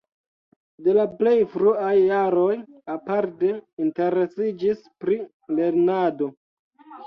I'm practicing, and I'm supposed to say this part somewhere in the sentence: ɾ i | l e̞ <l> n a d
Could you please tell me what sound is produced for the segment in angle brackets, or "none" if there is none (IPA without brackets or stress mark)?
ɾ